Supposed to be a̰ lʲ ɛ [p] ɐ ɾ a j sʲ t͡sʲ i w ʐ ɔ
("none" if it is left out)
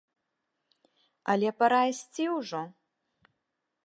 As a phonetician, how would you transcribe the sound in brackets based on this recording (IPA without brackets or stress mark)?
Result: p